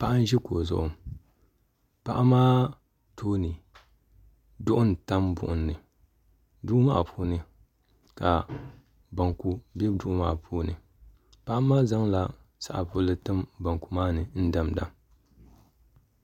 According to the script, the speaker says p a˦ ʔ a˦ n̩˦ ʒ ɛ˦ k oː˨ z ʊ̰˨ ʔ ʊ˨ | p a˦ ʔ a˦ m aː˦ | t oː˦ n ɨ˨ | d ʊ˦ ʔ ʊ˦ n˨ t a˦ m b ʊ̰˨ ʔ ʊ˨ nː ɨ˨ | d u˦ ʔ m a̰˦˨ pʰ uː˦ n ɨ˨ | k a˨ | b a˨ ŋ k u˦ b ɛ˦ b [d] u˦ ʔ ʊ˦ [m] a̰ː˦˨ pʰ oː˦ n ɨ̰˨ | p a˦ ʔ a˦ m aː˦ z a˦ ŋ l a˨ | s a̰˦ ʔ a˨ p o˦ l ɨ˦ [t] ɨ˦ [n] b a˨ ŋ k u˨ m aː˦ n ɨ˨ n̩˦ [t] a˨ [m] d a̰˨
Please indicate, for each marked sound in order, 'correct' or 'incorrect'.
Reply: correct, correct, correct, incorrect, incorrect, correct

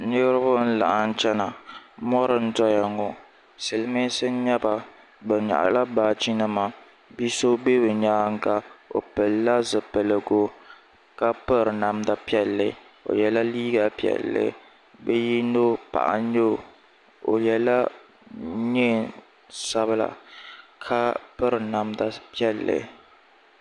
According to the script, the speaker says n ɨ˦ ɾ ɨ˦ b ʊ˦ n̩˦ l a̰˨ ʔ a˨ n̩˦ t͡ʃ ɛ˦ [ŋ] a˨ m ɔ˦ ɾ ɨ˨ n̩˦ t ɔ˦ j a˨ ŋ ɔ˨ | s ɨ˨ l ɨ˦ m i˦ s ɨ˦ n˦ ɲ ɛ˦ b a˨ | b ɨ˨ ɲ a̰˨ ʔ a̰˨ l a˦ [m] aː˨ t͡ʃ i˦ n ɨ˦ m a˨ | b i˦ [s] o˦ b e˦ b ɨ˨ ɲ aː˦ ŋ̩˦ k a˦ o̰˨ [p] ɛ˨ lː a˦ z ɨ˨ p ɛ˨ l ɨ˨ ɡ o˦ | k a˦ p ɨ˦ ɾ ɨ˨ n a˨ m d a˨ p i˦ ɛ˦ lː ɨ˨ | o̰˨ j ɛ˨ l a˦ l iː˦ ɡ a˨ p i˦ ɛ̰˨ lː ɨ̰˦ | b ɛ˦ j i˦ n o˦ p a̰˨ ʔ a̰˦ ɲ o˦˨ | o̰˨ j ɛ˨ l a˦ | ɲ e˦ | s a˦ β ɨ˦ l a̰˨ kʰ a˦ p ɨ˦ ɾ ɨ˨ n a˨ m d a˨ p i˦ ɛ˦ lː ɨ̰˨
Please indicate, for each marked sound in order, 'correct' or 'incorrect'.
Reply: incorrect, incorrect, correct, correct

